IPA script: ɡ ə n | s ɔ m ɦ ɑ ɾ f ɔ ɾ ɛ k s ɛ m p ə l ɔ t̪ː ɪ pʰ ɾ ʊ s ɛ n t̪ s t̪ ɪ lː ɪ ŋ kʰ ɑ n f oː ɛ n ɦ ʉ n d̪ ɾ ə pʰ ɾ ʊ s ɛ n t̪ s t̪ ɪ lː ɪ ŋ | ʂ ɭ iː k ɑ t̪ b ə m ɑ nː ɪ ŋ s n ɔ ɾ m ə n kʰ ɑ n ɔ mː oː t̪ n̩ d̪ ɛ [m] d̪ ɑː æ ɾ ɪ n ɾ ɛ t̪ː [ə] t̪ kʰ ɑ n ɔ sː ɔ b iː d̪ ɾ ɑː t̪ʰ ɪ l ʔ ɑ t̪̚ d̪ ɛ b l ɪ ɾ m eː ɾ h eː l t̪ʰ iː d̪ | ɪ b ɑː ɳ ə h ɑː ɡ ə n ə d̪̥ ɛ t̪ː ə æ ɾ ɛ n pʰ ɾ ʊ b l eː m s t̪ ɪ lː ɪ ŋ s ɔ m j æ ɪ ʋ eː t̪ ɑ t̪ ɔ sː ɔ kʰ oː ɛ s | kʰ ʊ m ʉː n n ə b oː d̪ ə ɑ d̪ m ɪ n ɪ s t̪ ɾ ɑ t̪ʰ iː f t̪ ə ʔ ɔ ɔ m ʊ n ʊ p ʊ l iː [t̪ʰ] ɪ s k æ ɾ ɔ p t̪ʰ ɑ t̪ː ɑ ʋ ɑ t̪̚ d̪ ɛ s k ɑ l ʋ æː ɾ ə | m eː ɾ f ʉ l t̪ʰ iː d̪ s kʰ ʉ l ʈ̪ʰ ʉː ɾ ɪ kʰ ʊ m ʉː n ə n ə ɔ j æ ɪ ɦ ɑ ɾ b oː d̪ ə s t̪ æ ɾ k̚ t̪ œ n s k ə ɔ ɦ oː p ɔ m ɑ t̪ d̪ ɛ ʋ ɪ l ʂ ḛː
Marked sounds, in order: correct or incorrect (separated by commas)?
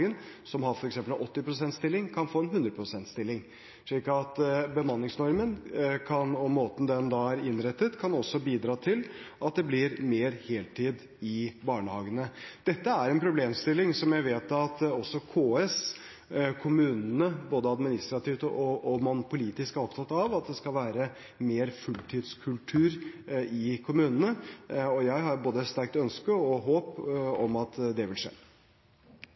incorrect, correct, incorrect